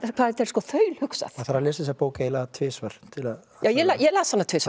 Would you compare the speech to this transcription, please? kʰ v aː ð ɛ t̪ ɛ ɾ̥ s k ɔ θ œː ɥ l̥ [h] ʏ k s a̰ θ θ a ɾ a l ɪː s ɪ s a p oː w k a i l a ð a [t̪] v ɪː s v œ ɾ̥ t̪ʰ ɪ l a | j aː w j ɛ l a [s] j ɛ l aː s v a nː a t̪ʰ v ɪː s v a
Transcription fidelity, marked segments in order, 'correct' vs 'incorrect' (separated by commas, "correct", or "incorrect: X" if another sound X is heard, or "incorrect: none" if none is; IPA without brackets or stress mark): correct, incorrect: t̪ʰ, incorrect: none